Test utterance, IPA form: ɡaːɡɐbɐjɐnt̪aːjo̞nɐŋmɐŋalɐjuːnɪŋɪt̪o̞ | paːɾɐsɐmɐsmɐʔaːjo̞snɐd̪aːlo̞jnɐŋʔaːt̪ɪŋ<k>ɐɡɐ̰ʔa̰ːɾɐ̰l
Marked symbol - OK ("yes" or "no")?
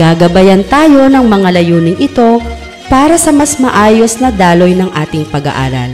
no